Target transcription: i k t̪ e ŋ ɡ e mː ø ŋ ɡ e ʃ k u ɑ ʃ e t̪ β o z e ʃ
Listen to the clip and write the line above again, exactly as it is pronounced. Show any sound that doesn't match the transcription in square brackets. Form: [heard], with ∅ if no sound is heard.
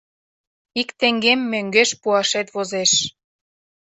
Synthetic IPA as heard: i k t̪ e ŋ ɡ e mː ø ŋ ɡ e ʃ [p] u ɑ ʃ e t̪ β o z e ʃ